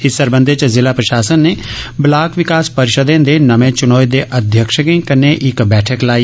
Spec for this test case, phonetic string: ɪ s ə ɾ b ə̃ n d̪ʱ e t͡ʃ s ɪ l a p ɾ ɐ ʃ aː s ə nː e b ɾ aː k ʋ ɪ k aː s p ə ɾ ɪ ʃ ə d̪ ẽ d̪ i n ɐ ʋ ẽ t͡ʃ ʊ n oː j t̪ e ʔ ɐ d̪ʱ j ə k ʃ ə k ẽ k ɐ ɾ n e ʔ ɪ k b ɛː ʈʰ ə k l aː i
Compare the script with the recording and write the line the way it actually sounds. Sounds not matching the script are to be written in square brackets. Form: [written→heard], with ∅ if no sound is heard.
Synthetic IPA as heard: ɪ s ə ɾ b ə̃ n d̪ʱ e t͡ʃ [s→z] ɪ l a p ɾ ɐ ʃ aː s ə nː e b [ɾ→l] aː k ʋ ɪ k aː s p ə ɾ ɪ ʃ ə d̪ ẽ d̪ [i→e] n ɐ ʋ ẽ t͡ʃ ʊ n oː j [t̪→d̪] e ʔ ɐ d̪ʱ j ə k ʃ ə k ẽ k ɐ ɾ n e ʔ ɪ k b ɛː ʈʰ ə k l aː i